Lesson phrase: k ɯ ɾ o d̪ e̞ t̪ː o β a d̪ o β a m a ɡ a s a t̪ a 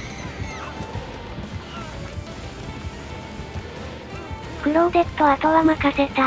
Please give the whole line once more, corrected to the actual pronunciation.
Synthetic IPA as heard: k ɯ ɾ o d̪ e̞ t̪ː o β a t̪ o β a m a k a s e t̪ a

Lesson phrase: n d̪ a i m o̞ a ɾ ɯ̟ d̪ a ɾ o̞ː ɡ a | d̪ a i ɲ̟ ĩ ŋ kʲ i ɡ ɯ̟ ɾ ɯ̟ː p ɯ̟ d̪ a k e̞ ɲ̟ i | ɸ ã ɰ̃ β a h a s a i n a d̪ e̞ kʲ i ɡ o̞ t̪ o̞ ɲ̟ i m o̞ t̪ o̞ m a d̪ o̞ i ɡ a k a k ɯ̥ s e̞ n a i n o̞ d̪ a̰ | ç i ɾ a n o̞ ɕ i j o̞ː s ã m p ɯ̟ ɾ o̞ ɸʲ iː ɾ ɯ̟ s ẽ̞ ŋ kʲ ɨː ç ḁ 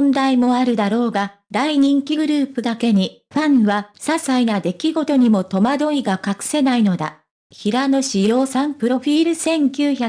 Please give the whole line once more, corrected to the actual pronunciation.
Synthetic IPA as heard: n d̪ a i m o̞ a ɾ ɯ̟ d̪ a ɾ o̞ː ɡ a | d̪ a i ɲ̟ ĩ ŋ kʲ i ɡ ɯ̟ ɾ ɯ̟ː p ɯ̟ d̪ a k e̞ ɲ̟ i | ɸ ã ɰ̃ β a s a s a i n a d̪ e̞ kʲ i ɡ o̞ t̪ o̞ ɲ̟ i m o̞ t̪ o̞ m a d̪ o̞ i ɡ a k a k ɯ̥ s e̞ n a i n o̞ d̪ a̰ | ç i ɾ a n o̞ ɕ i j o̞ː s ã m p ɯ̟ ɾ o̞ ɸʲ iː ɾ ɯ̟ s ẽ̞ ŋ kʲ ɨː ç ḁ

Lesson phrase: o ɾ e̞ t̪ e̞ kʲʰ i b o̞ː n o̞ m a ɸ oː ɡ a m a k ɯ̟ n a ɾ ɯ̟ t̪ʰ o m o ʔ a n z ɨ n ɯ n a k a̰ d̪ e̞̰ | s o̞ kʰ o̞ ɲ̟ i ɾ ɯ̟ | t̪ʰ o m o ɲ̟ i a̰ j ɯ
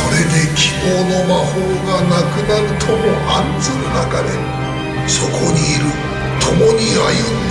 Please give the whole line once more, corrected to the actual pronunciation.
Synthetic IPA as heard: o ɾ e̞ d̪ e̞ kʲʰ i b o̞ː n o̞ m a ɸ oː ɡ a n a k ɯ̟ n a ɾ ɯ̟ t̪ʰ o m o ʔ a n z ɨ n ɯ n a k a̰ d̪ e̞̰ | s o̞ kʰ o̞ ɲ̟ iː ɾ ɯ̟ | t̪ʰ o m o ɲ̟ i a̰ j ɯ

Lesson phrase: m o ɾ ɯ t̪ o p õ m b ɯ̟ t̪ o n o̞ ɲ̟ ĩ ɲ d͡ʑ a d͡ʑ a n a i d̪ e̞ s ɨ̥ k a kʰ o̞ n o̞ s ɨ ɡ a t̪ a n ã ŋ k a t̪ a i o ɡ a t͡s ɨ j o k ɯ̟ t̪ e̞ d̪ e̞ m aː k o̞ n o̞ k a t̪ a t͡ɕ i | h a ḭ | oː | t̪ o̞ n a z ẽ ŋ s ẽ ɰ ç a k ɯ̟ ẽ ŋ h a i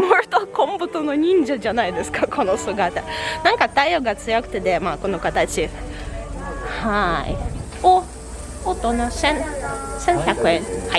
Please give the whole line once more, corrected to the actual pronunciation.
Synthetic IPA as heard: m o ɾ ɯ t̪ o k õ m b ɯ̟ t̪ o n o̞ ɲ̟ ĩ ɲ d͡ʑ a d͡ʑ a n a i d̪ e̞ s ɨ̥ k a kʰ o̞ n o̞ s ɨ ɡ a t̪ a n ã ŋ k a t̪ a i o ɡ a t͡s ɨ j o k ɯ̟ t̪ e̞ d̪ e̞ m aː k o̞ n o̞ k a t̪ a t͡ɕ i | h a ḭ | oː | t̪ o̞ n a s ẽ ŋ s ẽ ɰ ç a k ɯ̟ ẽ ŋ h a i

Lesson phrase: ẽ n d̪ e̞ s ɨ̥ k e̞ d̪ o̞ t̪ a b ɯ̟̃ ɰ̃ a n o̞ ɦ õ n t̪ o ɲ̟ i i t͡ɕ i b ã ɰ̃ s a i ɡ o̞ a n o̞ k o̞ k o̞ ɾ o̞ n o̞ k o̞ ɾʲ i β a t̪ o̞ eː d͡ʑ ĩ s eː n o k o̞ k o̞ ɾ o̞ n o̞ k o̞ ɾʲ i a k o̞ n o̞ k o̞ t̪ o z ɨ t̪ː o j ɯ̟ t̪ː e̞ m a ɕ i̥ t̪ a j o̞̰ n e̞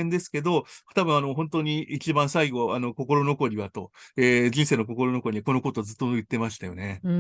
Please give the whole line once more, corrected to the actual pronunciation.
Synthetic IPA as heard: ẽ n d̪ e̞ s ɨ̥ k e̞ d̪ o̞ t̪ a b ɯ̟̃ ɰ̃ a n o̞ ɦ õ n t̪ o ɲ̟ i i t͡ɕ i b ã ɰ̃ s a i ɡ o̞ a n o̞ k o̞ k o̞ ɾ o̞ n o̞ k o̞ ɾʲ i β a t̪ o̞ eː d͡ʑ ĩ s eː n o k o̞ k o̞ ɾ o̞ n o̞ k o̞ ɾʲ i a k o̞ n o̞ k o̞ t̪ o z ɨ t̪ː o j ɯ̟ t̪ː e̞ m a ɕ i̥ t̪ a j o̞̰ n e̞

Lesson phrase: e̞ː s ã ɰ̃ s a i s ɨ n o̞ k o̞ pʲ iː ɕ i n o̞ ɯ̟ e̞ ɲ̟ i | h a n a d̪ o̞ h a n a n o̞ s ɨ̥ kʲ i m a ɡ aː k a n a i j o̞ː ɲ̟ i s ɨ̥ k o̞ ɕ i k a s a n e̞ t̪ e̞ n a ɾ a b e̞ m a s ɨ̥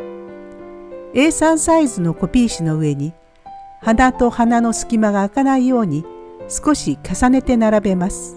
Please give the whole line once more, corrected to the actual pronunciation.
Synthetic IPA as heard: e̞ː s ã ɰ̃ s a i z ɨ n o̞ k o̞ pʲ iː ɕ i n o̞ ɯ̟ e̞ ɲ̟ i | h a n a t̪ o̞ h a n a n o̞ s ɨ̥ kʲ i m a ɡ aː k a n a i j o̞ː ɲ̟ i s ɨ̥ k o̞ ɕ i k a s a n e̞ t̪ e̞ n a ɾ a b e̞ m a s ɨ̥

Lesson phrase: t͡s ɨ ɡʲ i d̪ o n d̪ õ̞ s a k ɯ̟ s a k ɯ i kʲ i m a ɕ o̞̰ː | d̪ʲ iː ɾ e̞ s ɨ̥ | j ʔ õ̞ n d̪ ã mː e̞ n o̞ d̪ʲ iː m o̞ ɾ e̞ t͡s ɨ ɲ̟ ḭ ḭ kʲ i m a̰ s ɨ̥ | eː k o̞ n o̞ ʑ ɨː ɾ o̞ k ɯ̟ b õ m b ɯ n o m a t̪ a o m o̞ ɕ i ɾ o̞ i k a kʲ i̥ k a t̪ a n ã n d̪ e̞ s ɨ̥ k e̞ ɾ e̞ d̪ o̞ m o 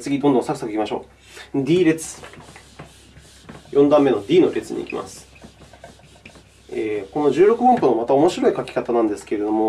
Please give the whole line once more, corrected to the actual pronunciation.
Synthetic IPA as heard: t͡s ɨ ɡʲ i d̪ o n d̪ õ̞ s a k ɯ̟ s a k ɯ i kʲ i m a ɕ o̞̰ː | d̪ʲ iː ɾ e̞ t͡s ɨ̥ | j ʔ õ̞ n d̪ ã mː e̞ n o̞ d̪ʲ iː n o̞ ɾ e̞ t͡s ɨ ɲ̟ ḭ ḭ kʲ i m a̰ s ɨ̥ | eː k o̞ n o̞ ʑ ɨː ɾ o̞ k ɯ̟ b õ m p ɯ n o m a t̪ a o m o̞ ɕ i ɾ o̞ i k a kʲ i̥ k a t̪ a n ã n d̪ e̞ s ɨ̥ k e̞ ɾ e̞ d̪ o̞ m o

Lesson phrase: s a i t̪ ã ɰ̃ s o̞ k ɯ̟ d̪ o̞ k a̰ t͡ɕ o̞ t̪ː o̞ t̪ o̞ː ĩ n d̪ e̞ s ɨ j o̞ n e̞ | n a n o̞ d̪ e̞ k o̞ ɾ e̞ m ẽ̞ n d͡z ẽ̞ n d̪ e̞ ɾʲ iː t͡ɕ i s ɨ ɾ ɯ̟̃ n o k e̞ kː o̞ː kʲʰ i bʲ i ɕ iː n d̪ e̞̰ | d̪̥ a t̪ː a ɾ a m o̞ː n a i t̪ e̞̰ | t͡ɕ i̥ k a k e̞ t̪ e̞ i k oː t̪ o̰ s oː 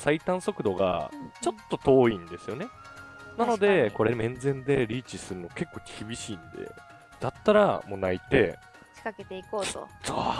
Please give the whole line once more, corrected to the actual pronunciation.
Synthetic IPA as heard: s a i t̪ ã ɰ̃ s o̞ k ɯ̟ d̪ o̞ ɡ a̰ t͡ɕ o̞ t̪ː o̞ t̪ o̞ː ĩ n d̪ e̞ s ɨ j o̞ n e̞ | n a n o̞ d̪ e̞ k o̞ ɾ e̞ m ẽ̞ n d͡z ẽ̞ n d̪ e̞ ɾʲ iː t͡ɕ i s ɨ ɾ ɯ̟ n o k e̞ kː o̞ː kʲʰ i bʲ i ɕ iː n d̪ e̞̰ | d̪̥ a t̪ː a ɾ a m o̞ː n a i t̪ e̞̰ | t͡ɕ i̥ k a k e̞ t̪ e̞ i k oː t̪ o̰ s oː

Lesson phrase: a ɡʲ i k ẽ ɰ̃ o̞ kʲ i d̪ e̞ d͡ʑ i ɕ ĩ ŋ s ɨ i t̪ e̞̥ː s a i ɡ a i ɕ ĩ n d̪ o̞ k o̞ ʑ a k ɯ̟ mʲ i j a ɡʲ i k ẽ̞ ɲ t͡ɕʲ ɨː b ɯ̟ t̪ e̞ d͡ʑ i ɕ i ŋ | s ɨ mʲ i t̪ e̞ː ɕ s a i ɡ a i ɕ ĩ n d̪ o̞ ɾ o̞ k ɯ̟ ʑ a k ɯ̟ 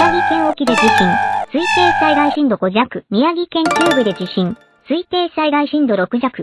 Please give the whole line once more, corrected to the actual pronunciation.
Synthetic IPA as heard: a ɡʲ i k ẽ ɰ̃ o̞ kʲ i d̪ e̞ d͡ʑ i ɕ ĩ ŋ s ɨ i t̪ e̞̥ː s a i ɡ a i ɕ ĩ n d̪ o̞ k o̞ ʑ a k ɯ̟ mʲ i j a ɡʲ i k ẽ̞ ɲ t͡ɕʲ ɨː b ɯ̟ d̪ e̞ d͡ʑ i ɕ ĩ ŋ | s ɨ i t̪ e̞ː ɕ s a i ɡ a i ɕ ĩ n d̪ o̞ ɾ o̞ k ɯ̟ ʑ a k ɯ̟

